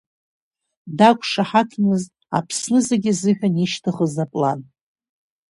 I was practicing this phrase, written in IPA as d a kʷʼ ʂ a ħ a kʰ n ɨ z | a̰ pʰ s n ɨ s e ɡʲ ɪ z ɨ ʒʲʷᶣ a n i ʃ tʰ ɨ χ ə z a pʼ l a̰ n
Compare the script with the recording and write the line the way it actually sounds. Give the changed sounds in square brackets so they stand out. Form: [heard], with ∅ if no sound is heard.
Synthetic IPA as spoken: d a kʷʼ ʂ a ħ a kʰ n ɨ z | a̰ pʰ s n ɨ [z] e ɡʲ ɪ z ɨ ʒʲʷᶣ a n i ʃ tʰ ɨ χ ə z a pʼ l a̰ n